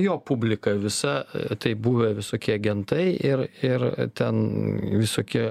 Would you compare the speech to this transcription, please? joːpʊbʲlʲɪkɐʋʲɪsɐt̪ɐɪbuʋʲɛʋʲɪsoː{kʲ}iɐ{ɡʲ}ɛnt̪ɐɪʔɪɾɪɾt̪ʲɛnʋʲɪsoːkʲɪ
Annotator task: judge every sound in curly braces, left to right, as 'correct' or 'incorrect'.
correct, correct

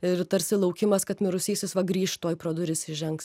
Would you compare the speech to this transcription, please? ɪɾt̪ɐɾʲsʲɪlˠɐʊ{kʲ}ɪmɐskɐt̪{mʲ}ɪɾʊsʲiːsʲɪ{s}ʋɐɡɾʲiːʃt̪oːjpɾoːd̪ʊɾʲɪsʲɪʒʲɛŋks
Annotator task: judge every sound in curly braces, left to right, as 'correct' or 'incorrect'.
correct, correct, correct

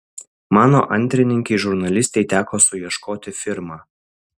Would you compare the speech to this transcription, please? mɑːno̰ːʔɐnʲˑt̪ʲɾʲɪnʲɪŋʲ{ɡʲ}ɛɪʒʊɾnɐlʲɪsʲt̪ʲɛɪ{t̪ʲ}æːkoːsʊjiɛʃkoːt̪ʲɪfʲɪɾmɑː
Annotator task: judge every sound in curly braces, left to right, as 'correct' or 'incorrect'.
incorrect, correct

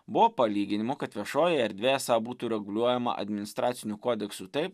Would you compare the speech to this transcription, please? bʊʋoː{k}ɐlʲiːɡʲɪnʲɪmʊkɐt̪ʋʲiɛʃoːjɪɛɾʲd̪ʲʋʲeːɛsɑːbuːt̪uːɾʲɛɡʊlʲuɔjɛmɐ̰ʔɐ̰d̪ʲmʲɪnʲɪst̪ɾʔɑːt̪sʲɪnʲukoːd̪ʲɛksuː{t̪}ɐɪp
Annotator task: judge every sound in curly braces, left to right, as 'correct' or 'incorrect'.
incorrect, correct

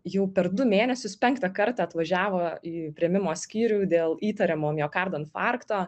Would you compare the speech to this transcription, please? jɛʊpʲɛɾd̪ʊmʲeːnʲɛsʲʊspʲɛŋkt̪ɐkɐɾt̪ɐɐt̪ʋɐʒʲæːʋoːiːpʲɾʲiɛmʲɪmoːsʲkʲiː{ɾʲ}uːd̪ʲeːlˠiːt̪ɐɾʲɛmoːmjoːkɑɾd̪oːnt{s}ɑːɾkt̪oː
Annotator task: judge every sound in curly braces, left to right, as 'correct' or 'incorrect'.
correct, incorrect

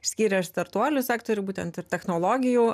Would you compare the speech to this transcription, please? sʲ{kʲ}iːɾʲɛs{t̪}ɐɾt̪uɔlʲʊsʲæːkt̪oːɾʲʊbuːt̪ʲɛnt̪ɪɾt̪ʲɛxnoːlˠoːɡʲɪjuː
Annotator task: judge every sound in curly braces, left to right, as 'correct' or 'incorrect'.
correct, correct

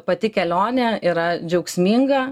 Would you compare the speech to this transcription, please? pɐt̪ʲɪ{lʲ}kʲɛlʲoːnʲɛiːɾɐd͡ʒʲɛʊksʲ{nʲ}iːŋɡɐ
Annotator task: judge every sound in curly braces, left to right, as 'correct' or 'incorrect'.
incorrect, incorrect

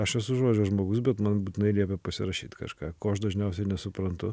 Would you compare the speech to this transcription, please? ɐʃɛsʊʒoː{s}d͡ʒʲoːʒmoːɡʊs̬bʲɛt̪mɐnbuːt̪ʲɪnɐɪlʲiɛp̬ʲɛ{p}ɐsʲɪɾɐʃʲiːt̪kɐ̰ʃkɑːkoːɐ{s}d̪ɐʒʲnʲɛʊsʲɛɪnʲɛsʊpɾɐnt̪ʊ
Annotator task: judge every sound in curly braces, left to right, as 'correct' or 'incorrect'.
incorrect, correct, incorrect

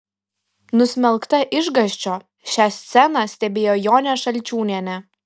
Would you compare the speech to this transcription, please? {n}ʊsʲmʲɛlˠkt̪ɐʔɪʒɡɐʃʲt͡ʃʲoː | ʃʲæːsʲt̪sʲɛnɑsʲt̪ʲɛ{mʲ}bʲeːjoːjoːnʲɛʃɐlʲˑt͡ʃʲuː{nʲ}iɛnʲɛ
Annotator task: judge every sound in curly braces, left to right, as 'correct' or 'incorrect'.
correct, incorrect, correct

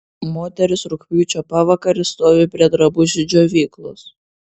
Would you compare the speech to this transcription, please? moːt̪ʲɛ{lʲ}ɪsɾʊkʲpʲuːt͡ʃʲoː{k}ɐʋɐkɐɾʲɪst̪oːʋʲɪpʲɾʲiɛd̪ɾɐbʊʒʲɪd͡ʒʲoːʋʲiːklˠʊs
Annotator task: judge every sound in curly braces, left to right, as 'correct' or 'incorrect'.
incorrect, incorrect

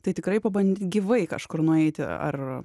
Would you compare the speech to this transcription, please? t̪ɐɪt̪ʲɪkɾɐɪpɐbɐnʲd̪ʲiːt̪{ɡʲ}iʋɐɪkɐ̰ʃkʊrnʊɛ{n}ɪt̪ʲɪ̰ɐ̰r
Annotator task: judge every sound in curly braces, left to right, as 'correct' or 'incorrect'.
correct, incorrect

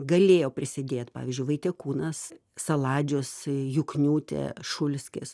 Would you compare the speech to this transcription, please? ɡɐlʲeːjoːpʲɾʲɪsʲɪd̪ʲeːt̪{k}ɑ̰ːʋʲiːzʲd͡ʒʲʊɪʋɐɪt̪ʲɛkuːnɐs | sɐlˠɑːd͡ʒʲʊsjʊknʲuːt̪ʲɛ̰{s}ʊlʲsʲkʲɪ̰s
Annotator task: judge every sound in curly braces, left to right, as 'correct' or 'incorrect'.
incorrect, incorrect

